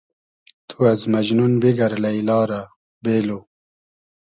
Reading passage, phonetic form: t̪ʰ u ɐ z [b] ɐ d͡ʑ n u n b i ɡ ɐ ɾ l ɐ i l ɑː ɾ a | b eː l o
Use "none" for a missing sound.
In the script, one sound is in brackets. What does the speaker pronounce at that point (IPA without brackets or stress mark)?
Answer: m